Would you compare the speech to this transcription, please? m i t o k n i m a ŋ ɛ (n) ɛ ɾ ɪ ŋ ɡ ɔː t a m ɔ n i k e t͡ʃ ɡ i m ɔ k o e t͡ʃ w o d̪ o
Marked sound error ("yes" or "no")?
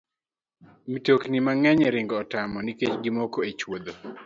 yes